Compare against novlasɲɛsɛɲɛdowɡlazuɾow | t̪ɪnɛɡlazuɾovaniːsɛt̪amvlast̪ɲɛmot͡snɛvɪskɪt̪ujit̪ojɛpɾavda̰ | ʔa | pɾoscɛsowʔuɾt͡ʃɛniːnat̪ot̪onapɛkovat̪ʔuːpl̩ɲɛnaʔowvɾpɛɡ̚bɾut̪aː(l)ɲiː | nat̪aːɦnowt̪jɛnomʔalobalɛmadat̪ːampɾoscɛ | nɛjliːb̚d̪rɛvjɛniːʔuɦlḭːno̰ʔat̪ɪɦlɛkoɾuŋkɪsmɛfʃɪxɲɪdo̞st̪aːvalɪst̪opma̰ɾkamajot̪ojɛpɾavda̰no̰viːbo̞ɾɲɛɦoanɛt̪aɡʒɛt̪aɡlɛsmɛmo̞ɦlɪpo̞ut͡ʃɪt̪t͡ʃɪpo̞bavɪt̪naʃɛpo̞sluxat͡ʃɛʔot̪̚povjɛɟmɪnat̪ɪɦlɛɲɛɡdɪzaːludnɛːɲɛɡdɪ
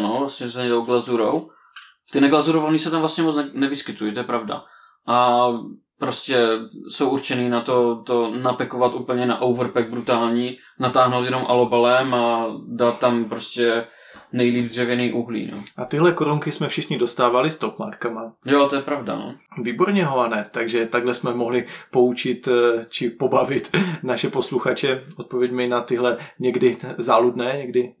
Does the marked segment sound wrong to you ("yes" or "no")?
no